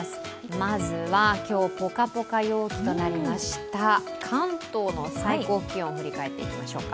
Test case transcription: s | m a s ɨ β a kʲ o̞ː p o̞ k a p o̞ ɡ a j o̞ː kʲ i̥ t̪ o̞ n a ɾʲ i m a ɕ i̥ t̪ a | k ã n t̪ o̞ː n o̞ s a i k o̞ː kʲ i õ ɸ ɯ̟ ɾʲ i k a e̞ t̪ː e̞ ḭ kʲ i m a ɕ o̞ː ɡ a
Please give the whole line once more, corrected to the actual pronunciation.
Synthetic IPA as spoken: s | m a z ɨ β a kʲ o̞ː p o̞ k a p o̞ k a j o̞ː kʲ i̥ t̪ o̞ n a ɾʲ i m a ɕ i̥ t̪ a | kʰ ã n t̪ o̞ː n o̞ s a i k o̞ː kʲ i õ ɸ ɯ̟ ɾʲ i k a e̞ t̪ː e̞ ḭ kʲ i m a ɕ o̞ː k a